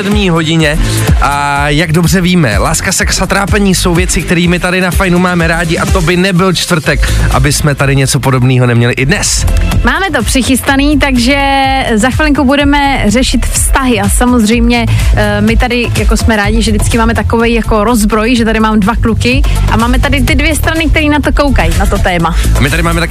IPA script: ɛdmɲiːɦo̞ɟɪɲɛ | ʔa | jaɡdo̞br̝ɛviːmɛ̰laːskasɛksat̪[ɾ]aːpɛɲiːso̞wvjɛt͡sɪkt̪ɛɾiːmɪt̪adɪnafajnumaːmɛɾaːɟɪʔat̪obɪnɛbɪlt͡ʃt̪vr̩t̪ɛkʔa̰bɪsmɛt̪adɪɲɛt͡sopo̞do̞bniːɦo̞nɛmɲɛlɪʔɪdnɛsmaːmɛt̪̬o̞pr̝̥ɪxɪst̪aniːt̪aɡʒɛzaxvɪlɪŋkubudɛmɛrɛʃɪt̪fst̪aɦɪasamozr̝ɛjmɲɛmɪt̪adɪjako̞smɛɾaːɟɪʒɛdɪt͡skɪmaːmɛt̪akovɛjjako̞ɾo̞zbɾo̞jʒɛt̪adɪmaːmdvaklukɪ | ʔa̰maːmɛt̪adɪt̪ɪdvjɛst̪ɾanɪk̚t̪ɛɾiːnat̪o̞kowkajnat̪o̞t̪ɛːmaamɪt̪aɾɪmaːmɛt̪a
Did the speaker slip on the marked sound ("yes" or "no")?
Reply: no